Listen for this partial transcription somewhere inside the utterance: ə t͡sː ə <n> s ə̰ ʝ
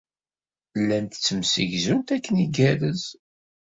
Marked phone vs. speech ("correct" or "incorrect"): incorrect